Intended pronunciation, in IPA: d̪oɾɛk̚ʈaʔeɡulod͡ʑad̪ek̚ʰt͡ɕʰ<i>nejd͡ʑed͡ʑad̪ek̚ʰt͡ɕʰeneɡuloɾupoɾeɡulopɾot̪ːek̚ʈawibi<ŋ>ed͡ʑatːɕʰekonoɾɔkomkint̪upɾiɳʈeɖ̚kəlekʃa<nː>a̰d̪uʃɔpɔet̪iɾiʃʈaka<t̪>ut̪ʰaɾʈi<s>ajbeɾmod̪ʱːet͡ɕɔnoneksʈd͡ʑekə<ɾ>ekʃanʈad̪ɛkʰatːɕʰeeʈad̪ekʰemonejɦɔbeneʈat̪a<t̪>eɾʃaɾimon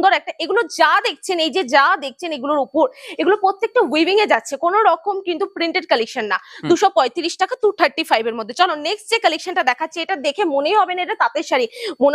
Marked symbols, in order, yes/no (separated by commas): no, yes, yes, yes, no, no, yes